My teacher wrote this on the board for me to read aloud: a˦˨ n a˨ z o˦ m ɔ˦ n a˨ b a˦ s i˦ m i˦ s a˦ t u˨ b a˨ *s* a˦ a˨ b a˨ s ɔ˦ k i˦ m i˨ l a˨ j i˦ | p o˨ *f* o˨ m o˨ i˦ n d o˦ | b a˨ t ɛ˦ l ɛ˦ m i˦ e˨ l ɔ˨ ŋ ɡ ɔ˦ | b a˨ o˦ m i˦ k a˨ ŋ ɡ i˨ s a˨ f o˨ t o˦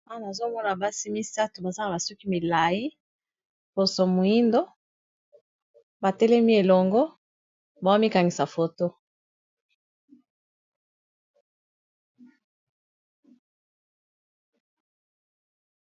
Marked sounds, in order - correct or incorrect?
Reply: incorrect, incorrect

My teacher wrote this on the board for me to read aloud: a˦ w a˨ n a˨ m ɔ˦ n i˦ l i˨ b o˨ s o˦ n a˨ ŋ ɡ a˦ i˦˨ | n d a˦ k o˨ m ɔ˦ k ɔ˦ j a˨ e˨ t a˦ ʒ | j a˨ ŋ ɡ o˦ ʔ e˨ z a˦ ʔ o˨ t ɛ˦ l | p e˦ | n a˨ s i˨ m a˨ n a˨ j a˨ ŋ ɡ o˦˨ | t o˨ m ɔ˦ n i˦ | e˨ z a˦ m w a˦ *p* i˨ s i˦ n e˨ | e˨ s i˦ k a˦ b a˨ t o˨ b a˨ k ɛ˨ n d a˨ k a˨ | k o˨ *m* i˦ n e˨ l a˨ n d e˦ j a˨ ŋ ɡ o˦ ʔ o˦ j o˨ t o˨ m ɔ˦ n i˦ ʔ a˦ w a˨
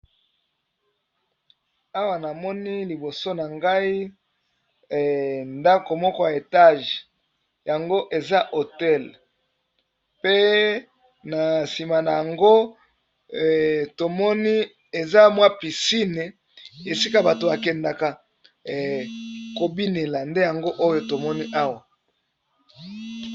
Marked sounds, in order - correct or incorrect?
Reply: correct, incorrect

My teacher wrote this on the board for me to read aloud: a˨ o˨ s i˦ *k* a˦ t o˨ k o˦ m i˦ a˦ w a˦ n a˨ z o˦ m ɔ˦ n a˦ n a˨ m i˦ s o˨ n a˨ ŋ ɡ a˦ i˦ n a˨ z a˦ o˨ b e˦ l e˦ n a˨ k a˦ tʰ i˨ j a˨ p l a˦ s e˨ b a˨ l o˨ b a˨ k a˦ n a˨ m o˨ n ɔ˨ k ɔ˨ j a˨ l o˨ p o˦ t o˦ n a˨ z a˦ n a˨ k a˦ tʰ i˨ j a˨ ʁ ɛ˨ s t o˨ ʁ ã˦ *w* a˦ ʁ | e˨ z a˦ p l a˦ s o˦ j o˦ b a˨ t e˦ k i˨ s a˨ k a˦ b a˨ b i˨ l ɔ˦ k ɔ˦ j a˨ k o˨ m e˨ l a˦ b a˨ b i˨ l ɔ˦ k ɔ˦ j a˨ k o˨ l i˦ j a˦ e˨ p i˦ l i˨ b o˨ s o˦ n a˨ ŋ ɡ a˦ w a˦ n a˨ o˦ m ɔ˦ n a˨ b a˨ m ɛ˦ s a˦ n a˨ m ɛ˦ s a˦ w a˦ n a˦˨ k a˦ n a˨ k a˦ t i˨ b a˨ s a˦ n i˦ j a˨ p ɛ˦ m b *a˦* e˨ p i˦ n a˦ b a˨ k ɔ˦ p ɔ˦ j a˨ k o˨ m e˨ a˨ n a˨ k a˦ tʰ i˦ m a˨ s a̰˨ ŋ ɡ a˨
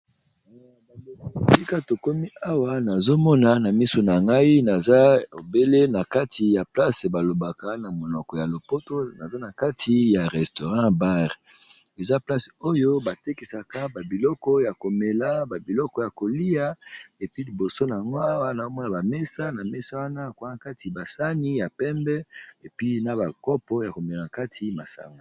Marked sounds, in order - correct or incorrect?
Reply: correct, incorrect, incorrect

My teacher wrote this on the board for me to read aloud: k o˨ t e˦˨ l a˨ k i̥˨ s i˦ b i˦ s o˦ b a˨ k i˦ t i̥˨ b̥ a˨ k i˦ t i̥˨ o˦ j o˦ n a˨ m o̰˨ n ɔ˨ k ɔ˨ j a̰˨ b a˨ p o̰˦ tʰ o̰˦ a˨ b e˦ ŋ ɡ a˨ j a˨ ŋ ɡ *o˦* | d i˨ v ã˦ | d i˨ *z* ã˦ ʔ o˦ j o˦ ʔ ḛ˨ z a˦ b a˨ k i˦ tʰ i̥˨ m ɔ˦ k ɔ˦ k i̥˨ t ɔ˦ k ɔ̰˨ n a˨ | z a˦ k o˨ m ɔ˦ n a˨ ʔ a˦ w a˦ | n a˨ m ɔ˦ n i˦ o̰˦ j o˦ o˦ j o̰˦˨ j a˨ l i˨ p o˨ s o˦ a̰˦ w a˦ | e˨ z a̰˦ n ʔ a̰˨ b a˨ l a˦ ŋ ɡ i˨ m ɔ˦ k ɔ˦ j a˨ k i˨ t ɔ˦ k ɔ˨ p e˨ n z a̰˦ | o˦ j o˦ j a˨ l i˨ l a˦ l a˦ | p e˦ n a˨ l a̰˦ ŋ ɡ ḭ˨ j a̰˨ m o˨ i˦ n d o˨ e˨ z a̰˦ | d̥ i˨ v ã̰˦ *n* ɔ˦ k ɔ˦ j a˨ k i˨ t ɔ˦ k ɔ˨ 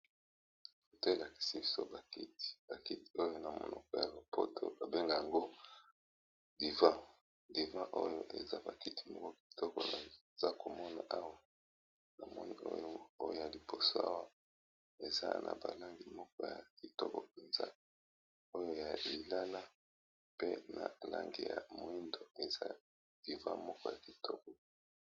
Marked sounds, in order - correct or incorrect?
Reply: correct, incorrect, incorrect

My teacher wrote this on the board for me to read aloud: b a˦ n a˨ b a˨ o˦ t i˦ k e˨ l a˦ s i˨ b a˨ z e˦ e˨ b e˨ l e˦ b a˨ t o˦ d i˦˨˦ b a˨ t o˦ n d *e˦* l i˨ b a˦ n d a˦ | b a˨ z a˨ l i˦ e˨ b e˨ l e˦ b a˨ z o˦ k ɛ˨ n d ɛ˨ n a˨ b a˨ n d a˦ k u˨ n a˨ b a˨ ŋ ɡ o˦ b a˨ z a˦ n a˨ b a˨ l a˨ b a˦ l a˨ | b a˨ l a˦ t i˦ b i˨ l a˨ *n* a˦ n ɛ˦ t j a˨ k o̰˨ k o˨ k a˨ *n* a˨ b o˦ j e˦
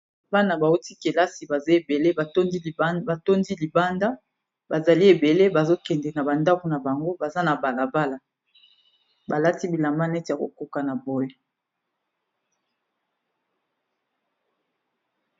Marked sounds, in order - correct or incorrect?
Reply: incorrect, incorrect, correct

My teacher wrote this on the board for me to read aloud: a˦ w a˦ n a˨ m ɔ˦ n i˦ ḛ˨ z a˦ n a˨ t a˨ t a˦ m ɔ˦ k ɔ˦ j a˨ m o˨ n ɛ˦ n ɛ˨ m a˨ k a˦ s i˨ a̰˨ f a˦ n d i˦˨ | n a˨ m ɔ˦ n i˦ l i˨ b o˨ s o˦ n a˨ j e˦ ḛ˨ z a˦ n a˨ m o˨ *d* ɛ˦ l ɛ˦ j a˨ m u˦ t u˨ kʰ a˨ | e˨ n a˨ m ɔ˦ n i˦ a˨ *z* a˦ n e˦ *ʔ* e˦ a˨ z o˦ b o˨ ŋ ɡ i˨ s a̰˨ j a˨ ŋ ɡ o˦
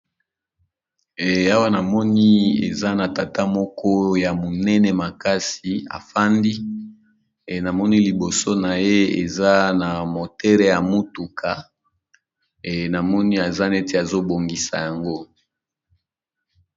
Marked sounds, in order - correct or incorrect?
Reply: incorrect, correct, incorrect

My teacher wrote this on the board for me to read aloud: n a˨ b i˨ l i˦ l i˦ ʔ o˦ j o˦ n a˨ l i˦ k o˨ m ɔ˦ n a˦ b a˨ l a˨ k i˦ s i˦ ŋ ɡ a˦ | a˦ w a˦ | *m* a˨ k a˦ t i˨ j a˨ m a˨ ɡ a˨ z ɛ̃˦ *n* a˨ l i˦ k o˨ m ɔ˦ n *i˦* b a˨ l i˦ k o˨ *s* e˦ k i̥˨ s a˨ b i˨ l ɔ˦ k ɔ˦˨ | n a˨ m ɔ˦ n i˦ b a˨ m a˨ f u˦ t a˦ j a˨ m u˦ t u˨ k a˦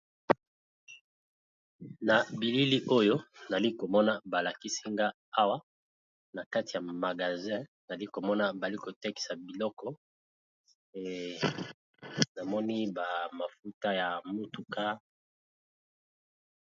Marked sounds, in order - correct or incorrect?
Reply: incorrect, correct, incorrect, incorrect

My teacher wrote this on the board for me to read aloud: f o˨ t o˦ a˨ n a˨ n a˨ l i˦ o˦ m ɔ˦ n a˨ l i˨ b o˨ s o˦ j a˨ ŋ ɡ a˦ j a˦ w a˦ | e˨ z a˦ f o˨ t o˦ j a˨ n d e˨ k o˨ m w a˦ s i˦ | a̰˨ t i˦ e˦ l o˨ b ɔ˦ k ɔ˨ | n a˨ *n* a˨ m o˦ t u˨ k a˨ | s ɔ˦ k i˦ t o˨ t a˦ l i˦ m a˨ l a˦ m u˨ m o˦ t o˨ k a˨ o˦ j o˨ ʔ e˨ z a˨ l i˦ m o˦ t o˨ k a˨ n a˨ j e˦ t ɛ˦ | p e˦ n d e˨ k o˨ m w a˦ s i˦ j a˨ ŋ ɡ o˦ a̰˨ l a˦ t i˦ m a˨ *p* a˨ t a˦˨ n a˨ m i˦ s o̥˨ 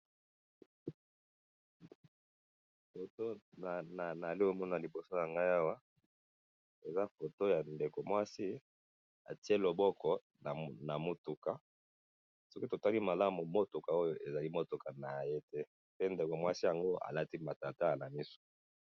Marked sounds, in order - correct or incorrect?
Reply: correct, incorrect

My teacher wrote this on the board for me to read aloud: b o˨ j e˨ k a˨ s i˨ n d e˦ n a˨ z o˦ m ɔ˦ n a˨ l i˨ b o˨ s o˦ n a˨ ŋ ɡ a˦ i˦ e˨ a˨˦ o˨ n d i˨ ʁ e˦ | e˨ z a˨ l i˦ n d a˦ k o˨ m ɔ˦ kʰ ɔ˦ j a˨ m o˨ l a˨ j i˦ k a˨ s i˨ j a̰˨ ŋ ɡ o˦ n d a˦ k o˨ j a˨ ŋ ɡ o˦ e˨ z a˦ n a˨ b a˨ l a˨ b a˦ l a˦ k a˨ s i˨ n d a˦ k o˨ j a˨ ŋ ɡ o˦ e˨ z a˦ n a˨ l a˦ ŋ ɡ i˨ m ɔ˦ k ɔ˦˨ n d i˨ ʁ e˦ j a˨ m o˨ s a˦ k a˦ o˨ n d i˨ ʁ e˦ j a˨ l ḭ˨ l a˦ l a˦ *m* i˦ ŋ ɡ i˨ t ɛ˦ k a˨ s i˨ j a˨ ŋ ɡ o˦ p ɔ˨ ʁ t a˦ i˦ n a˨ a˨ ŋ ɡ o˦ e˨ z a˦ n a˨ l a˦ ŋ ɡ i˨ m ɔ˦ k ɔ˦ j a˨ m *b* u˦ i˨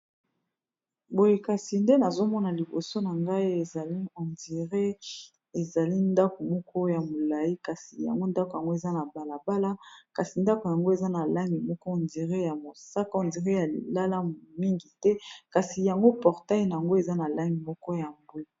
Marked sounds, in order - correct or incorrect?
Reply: correct, correct

